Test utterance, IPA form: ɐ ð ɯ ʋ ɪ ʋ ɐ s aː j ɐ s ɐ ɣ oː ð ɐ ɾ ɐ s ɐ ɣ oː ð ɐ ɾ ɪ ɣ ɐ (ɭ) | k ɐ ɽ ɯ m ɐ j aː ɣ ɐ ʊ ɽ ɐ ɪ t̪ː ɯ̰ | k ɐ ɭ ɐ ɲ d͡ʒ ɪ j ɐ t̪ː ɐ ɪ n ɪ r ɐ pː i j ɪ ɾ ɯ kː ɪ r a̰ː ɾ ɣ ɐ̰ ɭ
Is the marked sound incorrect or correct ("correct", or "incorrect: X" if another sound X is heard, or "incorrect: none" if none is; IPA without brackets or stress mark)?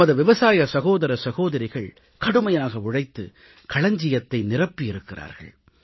correct